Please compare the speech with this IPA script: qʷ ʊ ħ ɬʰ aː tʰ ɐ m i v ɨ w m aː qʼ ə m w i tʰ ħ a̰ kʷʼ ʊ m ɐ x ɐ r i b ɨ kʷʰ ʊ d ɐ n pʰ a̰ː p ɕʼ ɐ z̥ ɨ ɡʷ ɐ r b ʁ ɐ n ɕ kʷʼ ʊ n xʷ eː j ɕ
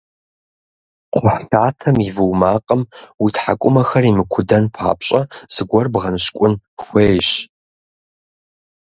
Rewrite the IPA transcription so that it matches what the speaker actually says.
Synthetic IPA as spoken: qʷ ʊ ħ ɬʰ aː tʰ ɐ m i v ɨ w m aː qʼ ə m w i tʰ ħ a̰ kʷʼ ʊ m ɐ x ɐ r i m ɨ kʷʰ ʊ d ɐ n pʰ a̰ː p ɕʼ ɐ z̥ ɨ ɡʷ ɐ r b ʁ ɐ n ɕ kʷʼ ʊ n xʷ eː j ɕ

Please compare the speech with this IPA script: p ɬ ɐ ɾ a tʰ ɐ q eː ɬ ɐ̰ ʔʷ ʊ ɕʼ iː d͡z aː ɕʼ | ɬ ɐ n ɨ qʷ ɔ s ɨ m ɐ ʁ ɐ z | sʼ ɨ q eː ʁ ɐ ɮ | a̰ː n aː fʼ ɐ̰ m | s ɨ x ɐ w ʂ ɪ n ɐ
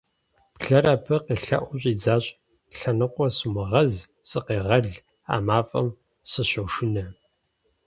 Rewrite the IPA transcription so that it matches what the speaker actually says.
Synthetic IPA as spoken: p ɬ ɐ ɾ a pʰ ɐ q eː ɬ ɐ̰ ʔʷ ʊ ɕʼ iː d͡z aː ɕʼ | ɬ ɐ n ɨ qʷ ɔ s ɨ m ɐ ʁ ɐ z | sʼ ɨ q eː ʁ ɐ ɮ | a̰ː m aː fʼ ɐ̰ m | s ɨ ɕ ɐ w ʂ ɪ n ɐ

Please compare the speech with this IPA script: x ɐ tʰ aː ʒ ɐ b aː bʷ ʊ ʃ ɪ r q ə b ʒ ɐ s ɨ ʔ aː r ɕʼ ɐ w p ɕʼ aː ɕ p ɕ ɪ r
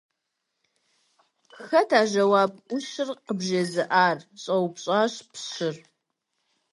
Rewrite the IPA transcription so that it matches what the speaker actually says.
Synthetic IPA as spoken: x ɐ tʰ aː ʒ ɐ w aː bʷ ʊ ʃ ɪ r q ə b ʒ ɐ z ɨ ʔ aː r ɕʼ ɐ w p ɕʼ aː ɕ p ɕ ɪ r

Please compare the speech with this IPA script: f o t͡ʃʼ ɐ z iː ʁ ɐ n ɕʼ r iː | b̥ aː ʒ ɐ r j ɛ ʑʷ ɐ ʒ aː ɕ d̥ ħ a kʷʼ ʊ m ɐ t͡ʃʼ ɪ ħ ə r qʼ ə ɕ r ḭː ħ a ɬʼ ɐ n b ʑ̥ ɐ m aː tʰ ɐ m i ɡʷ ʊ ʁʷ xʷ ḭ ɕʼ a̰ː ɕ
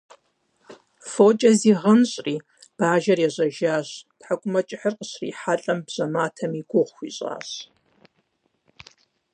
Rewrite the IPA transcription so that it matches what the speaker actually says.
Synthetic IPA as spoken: f o t͡ʃʼ ɐ z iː ʁ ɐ n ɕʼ r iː | b̥ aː ʒ ɐ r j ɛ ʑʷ ɐ ʒ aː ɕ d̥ ħ a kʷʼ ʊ m ɐ t͡ʃʼ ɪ ħ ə r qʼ ə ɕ r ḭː ħ a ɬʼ ɐ m b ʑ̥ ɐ m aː tʰ ɐ m i ɡʷ ʊ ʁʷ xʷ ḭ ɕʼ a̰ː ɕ

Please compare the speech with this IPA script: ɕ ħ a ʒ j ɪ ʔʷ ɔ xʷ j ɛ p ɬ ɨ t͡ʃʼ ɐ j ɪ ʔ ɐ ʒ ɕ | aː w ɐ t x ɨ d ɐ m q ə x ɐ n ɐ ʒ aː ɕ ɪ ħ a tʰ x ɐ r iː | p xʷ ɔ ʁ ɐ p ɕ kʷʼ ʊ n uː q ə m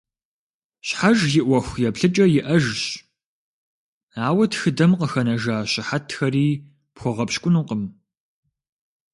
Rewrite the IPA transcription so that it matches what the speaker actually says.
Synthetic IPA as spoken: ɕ ħ a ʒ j ɪ ʔʷ ɔ xʷ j ɛ p ɬ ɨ t͡ʃʼ ɐ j ɪ ʔ ɐ ʒ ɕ | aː w ɐ t x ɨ d ɐ m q ə x ɐ n ɐ ʒ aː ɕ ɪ ħ a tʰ x ɐ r iː | p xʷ ɔ ʁ ɐ p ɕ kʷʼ ʊ n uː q ə m

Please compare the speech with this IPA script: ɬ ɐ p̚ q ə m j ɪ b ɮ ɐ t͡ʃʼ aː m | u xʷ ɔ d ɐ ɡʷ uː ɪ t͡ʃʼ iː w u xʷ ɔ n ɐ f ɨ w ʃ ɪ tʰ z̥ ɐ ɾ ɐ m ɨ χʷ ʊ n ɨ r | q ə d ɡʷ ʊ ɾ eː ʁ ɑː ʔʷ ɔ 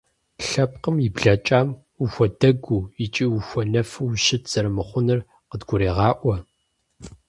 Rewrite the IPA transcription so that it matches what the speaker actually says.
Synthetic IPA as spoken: ɬ ɐ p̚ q ə m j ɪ b ɮ ɐ t͡ʃʼ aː m | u xʷ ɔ d ɐ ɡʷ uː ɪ t͡ʃʼ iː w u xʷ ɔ n ɐ f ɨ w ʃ ɪ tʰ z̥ ɐ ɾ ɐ m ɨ χʷ ʊ n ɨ r | q ə d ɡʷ ʊ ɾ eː ʁ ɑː ʔʷ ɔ

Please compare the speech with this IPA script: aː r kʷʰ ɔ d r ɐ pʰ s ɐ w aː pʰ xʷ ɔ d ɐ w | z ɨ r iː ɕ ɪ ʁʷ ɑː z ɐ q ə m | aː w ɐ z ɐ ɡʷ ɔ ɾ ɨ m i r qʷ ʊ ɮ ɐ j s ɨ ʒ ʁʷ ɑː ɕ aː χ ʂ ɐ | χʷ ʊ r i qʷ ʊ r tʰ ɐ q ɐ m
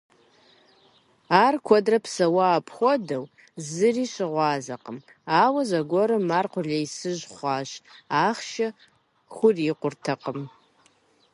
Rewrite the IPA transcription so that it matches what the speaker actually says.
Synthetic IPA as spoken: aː r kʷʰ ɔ d r ɐ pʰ s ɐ w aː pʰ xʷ ɔ d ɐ w | z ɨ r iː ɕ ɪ ʁʷ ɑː z ɐ q ə m | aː w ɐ z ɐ ɡʷ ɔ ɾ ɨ m a r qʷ ʊ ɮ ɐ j s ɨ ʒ χʷ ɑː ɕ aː χ ʃ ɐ | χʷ ʊ r i qʷ ʊ r tʰ ɐ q ə m

